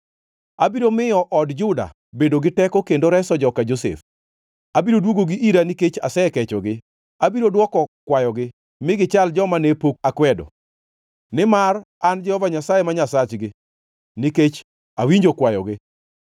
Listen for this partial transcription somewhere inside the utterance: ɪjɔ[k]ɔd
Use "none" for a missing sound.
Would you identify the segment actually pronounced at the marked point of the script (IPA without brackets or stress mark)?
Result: ʔ